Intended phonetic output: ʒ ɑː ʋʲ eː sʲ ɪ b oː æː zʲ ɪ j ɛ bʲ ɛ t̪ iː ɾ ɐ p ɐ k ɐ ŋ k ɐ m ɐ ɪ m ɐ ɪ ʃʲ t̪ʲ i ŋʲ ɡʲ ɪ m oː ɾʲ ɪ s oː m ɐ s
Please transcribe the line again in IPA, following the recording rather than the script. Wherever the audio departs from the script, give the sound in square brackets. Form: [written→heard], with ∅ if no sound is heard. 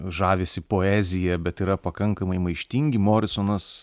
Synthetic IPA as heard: ʒ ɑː ʋʲ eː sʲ ɪ [b→p] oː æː zʲ ɪ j ɛ bʲ ɛ t̪ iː ɾ ɐ p ɐ k ɐ ŋ k ɐ m ɐ ɪ m ɐ ɪ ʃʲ t̪ʲ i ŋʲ ɡʲ ɪ m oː ɾʲ ɪ s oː [m→n] ɐ s